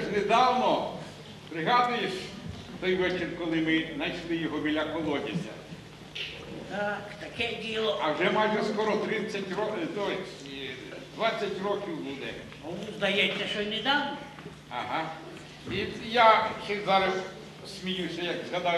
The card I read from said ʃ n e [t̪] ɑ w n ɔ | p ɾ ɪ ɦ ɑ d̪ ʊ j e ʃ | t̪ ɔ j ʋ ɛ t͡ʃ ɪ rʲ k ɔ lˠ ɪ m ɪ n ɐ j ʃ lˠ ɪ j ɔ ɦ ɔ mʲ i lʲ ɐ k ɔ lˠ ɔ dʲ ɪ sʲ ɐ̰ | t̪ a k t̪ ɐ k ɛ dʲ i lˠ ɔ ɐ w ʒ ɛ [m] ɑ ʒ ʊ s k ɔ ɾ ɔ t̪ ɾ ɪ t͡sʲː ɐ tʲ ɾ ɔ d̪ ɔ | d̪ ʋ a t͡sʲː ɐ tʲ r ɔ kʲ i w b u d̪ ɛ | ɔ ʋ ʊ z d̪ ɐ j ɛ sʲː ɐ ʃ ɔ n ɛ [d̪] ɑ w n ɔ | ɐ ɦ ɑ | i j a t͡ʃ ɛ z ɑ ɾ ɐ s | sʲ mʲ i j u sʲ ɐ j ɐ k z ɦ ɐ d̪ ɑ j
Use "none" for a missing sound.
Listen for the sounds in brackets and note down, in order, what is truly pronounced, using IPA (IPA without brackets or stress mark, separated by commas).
d̪, m, d̪